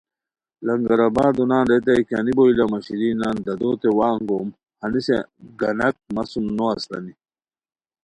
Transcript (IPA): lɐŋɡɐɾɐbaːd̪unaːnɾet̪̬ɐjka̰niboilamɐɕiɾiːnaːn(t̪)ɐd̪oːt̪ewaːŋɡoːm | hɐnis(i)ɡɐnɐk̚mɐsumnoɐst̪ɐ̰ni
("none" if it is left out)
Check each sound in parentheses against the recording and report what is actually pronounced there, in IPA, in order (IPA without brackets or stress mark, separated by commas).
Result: d̪, e